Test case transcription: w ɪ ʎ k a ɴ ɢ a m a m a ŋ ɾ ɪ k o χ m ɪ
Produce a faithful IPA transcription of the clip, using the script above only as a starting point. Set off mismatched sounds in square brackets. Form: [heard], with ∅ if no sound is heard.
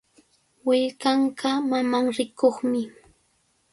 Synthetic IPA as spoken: w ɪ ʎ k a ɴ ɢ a m a m a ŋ ɾ ɪ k o χ m ɪ